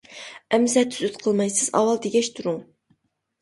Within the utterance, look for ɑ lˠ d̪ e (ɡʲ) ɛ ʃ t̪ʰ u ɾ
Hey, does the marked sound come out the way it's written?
yes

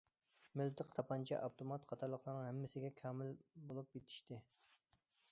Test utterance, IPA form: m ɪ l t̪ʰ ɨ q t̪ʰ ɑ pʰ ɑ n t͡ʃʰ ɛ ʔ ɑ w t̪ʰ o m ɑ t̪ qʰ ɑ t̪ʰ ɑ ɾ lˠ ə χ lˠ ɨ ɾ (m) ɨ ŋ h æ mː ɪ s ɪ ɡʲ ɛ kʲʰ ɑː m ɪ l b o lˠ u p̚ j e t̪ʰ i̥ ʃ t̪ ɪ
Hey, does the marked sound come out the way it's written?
no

